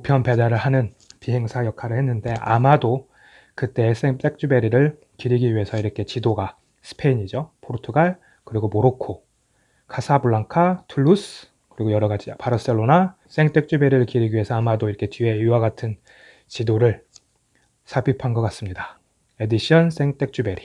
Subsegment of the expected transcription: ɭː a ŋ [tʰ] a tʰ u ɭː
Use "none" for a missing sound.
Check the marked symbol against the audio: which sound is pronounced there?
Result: kʰ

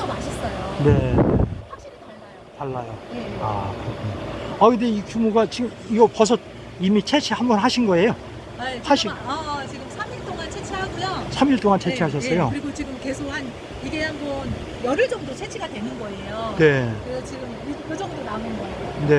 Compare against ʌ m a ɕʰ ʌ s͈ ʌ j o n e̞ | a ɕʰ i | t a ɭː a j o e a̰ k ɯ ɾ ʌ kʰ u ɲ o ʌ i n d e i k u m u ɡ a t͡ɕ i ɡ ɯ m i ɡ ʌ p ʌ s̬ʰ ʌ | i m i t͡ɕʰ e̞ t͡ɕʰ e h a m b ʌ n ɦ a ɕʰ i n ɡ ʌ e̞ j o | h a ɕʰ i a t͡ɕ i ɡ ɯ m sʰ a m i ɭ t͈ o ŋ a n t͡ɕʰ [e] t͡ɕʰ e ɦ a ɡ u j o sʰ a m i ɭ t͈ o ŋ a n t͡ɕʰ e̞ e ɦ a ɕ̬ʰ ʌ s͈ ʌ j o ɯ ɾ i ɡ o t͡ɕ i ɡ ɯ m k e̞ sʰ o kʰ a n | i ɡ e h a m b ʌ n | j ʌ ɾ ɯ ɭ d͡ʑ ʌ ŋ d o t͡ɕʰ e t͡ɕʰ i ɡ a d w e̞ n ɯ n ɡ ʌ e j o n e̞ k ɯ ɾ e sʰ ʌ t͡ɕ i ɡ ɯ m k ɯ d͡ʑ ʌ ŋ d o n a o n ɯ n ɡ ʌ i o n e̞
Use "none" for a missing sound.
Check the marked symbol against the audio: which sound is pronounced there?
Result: e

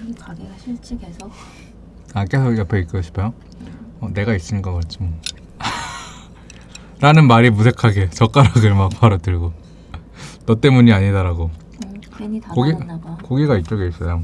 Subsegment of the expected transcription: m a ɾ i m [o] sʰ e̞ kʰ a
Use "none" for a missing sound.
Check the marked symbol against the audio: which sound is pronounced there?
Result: u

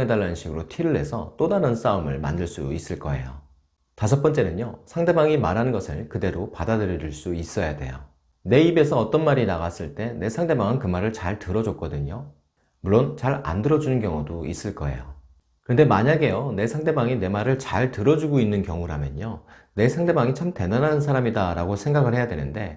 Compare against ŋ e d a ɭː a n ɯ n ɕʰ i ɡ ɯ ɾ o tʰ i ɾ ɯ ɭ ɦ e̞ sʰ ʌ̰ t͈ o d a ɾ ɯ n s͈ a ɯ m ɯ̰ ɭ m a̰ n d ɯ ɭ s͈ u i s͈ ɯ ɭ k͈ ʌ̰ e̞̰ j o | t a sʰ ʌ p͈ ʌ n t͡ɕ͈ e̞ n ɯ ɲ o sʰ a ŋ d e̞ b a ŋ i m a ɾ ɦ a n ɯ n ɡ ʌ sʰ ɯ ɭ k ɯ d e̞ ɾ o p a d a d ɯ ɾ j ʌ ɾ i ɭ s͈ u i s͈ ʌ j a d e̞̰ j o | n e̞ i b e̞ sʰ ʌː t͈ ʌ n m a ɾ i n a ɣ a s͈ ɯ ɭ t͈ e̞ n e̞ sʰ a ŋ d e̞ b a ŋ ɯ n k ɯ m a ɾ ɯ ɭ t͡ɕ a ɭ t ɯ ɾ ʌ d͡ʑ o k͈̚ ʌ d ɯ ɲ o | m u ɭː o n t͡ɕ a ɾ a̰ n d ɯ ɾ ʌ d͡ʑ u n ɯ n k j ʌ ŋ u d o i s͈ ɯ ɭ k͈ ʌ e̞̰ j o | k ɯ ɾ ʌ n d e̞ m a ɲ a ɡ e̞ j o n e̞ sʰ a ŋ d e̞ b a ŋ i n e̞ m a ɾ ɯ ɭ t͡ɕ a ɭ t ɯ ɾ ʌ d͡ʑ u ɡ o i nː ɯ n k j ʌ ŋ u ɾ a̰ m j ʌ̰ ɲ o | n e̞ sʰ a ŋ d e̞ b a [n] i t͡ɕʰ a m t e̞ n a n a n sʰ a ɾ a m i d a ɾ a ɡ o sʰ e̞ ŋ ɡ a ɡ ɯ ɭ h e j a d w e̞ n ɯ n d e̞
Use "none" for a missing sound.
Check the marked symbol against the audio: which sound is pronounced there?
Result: ŋ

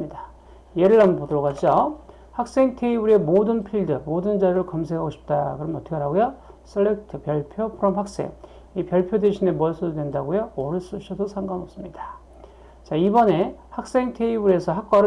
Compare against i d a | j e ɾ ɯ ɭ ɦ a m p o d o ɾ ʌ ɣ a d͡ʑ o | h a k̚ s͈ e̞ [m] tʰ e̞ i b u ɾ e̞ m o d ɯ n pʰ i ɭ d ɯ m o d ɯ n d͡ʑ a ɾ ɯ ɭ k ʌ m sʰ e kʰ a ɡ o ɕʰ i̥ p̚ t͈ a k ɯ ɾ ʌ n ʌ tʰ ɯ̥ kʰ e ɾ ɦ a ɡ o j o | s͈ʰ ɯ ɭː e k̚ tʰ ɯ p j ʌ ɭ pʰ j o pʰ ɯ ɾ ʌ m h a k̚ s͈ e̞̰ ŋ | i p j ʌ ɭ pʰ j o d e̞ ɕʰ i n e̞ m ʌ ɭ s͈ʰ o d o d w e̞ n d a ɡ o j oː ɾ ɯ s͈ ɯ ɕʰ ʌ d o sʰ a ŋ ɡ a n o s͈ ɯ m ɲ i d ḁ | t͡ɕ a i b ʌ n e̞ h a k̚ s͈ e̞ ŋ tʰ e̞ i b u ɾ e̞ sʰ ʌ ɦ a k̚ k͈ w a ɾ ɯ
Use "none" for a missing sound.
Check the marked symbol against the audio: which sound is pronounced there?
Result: ŋ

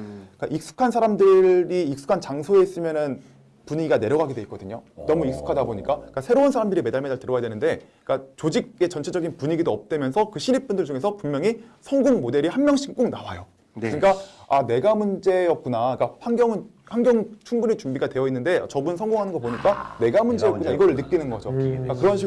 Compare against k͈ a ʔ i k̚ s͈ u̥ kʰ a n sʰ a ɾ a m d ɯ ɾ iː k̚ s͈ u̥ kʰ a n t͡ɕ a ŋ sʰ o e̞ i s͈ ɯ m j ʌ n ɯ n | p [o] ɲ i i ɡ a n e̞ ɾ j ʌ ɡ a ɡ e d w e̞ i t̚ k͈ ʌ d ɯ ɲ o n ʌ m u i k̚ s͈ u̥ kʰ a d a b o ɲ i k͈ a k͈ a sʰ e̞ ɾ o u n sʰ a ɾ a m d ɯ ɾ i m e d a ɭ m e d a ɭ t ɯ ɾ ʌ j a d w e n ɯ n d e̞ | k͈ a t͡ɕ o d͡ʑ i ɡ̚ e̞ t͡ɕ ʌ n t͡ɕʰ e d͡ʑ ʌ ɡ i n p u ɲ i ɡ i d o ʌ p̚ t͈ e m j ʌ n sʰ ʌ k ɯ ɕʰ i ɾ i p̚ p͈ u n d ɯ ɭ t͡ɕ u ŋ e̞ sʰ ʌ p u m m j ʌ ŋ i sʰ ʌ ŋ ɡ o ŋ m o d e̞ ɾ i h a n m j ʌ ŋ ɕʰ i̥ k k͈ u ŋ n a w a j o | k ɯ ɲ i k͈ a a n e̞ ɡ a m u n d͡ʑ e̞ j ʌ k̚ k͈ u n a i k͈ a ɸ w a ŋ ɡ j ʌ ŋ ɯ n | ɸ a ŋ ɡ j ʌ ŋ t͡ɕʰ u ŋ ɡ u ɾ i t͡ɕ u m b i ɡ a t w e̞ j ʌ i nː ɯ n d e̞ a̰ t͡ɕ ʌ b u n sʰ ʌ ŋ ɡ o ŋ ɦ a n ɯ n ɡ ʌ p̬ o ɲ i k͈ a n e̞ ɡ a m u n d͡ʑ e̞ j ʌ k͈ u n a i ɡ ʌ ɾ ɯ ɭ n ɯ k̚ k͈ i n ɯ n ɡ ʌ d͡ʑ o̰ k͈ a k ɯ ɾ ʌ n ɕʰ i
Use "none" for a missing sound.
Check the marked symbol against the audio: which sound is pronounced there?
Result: u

